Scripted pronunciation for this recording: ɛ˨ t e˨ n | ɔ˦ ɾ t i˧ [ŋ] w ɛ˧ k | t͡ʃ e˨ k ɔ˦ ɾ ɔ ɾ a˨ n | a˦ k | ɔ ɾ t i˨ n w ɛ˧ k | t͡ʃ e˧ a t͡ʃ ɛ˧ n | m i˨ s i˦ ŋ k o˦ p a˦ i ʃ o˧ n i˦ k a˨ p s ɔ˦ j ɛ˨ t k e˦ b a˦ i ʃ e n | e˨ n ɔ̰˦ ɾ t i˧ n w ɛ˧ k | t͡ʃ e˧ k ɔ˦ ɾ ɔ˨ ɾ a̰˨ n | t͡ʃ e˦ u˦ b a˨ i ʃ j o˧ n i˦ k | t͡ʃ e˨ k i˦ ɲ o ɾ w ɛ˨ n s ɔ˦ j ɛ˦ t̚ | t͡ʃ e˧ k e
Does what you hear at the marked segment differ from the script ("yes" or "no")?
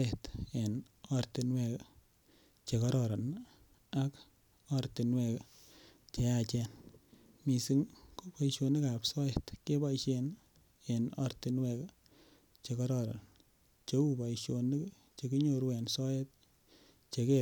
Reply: yes